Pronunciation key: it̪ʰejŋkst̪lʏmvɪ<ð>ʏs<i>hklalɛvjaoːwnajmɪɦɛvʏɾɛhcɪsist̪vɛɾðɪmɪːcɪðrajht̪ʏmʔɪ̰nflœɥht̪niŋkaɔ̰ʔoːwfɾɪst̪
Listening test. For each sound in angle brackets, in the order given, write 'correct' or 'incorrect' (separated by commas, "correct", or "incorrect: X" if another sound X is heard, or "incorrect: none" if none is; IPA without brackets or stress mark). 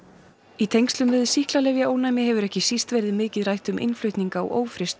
correct, correct